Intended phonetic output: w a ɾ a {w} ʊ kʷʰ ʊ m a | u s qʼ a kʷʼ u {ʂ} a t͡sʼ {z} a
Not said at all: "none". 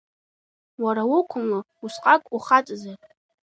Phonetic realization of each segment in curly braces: w, χ, z

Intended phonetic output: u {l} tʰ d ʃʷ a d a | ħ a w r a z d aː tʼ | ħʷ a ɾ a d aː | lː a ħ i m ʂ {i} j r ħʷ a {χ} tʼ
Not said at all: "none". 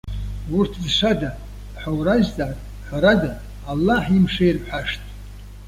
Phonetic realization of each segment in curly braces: r, e, ʂ

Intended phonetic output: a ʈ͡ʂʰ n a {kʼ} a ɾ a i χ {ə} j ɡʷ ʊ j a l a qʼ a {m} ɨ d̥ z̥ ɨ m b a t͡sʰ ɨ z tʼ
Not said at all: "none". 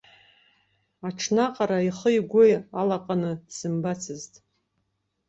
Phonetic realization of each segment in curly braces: qʼ, ə, n

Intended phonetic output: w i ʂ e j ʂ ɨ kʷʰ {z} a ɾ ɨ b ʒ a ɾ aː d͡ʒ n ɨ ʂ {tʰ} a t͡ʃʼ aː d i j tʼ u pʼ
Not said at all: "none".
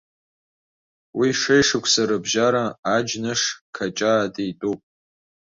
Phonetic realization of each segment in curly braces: s, kʰ

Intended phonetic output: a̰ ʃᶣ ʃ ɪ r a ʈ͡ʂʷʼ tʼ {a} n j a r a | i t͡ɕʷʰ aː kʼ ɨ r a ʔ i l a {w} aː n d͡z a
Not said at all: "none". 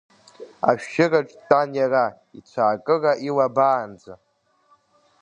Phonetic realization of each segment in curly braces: a, b

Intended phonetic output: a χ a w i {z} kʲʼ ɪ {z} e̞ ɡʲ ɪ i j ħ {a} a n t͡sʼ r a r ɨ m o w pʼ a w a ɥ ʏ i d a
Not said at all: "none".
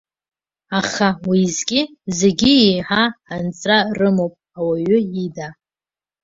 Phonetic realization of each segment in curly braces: z, z, a

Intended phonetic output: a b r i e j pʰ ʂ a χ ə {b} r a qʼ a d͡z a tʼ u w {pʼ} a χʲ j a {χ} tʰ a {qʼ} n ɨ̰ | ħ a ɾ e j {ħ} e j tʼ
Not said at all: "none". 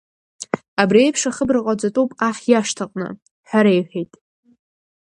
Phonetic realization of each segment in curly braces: b, pʼ, ʂ, qʼ, ħ

